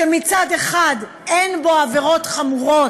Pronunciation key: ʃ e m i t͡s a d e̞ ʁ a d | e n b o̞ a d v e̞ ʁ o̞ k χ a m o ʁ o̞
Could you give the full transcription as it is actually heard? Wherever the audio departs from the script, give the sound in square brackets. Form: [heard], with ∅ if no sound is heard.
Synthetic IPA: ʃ e m i t͡s a d e̞ [χ] a d | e n b o̞ a [∅] v e̞ ʁ o̞ [t] χ a m [u] ʁ o̞